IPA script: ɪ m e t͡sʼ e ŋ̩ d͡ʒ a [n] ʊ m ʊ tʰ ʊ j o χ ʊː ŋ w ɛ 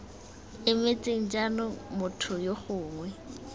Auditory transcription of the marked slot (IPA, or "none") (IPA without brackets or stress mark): n